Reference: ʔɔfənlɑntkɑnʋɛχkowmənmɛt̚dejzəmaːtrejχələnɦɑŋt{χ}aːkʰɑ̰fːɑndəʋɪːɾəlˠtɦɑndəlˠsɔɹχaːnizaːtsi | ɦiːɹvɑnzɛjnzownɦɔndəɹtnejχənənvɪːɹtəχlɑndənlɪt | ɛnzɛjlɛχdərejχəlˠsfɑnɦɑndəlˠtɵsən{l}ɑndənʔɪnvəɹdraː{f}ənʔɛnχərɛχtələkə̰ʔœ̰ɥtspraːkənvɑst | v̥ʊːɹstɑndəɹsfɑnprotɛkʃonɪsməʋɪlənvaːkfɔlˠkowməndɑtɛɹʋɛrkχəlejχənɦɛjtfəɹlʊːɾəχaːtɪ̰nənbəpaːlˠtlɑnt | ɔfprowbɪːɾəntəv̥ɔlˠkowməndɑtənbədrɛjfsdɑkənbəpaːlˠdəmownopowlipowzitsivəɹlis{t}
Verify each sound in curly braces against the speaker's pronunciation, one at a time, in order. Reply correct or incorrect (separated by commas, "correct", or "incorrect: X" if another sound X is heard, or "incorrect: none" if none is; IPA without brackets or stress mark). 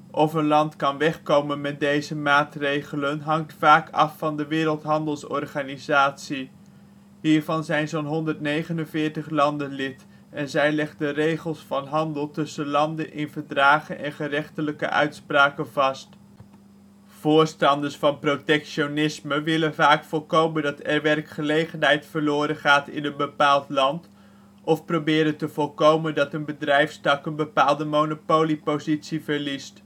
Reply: incorrect: f, correct, incorrect: χ, correct